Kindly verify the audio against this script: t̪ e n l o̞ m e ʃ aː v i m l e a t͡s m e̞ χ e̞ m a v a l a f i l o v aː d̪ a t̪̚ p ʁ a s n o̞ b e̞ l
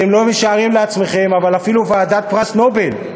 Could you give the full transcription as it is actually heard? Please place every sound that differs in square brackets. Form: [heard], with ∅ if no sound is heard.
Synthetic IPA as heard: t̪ e [m] l o̞ m e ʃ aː [ʁ] i m l e a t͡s m e̞ χ e̞ m a v a l a f i l [u] v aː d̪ a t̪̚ p ʁ a s n o̞ b e̞ l